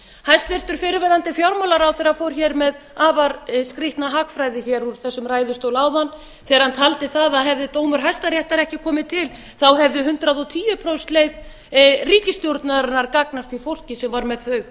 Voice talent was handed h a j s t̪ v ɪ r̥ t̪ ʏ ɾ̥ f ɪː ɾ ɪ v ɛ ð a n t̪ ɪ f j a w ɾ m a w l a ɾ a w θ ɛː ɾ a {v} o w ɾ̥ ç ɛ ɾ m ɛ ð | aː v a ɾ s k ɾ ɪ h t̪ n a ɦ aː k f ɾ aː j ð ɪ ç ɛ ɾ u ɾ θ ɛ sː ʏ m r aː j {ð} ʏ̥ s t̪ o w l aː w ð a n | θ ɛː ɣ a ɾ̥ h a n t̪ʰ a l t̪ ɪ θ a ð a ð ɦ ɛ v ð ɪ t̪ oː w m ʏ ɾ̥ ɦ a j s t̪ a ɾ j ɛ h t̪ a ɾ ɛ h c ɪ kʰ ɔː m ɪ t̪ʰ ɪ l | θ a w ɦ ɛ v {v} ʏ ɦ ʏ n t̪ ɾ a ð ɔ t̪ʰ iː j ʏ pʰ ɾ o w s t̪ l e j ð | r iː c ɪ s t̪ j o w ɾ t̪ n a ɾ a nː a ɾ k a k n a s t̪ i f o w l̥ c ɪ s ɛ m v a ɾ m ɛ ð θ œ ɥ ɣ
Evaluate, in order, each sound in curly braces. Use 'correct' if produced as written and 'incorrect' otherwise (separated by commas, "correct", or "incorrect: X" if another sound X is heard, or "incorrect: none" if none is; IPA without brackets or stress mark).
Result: incorrect: f, correct, incorrect: ð